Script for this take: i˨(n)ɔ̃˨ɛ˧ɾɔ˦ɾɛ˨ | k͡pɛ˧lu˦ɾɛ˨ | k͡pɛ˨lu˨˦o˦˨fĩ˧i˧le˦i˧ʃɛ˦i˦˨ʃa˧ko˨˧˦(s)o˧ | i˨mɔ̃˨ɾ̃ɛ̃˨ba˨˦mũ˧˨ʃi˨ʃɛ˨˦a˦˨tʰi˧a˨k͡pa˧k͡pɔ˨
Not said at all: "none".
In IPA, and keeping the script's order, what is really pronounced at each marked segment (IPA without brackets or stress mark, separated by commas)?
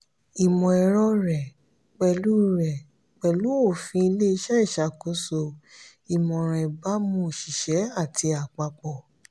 m, s